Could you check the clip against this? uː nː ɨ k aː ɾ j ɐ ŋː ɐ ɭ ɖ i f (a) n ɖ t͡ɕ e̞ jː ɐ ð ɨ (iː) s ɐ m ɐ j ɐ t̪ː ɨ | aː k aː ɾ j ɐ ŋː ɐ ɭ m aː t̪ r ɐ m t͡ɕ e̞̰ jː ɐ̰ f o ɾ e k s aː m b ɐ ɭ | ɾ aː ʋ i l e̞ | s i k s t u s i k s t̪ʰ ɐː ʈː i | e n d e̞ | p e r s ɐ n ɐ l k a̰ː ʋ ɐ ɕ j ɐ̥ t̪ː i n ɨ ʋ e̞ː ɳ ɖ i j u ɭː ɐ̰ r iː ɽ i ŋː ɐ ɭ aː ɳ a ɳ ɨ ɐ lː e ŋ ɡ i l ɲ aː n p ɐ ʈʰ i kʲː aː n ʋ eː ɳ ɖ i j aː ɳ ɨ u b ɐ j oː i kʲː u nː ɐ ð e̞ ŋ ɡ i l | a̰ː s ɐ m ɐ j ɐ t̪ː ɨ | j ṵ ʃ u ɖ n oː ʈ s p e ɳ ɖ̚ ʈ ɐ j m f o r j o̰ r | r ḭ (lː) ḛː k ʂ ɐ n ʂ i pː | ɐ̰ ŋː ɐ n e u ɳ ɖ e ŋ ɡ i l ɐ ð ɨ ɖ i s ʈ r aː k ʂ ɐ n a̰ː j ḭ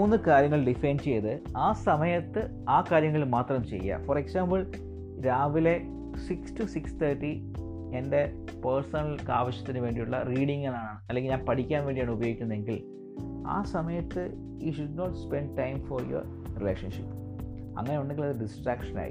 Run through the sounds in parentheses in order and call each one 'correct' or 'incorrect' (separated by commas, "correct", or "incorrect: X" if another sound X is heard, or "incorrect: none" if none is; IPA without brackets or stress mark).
incorrect: e, incorrect: aː, incorrect: l